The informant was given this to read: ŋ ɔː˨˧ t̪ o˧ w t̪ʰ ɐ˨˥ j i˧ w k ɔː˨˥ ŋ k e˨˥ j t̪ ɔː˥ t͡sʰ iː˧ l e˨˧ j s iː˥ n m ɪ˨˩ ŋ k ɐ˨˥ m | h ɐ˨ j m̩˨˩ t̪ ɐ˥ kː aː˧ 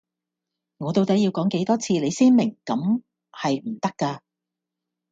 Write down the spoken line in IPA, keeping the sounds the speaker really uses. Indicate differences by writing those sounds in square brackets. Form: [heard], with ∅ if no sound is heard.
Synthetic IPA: ŋ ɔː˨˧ t̪ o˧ w [t̪] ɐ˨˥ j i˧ w k ɔː˨˥ ŋ k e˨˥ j t̪ ɔː˥ t͡sʰ iː˧ l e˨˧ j s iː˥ n m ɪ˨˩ ŋ k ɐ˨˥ m | h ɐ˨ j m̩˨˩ t̪ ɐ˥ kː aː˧